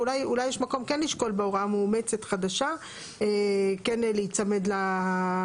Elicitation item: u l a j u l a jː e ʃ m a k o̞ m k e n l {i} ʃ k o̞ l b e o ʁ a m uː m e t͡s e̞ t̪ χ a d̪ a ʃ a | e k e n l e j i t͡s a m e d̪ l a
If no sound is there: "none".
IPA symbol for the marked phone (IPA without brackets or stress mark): i